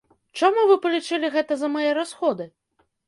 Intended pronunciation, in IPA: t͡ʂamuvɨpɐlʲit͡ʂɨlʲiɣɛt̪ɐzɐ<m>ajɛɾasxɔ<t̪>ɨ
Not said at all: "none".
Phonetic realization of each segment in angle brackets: m, d̪

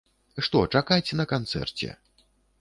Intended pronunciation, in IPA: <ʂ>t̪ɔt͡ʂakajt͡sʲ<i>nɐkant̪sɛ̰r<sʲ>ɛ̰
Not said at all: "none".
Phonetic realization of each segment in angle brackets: ʂ, ɛ, t͡sʲ

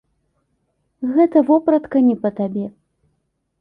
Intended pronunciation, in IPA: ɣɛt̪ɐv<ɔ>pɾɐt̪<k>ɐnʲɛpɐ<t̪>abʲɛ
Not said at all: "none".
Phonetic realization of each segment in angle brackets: ɔ, k, t̪

